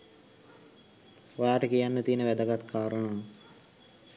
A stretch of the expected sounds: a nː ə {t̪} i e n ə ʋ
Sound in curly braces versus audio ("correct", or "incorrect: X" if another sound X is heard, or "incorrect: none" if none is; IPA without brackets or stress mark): correct